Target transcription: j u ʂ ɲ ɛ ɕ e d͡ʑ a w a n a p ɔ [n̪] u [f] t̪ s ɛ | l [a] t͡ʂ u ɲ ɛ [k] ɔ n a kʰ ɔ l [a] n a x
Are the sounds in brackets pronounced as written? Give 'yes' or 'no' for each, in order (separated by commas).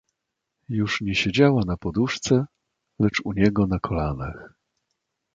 no, no, no, no, yes